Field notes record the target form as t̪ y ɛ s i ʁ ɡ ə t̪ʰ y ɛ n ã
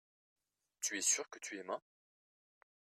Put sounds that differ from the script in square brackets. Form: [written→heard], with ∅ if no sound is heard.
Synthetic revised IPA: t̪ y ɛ s [i→y] ʁ [ɡ→k] ə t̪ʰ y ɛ [n→m] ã